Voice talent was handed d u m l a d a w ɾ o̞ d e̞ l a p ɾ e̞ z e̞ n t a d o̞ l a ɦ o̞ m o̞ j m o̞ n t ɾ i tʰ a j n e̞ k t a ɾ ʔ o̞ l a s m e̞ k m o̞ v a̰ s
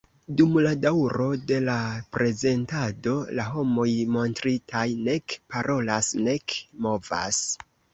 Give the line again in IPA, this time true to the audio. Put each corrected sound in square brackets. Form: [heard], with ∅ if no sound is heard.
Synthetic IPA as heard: d u m l a d a w ɾ o̞ d e̞ l a p ɾ e̞ z e̞ n t a d o̞ l a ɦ o̞ m o̞ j m o̞ n t ɾ i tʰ a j n e̞ k [p] a ɾ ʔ o̞ l a s [n] e̞ k m o̞ v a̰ s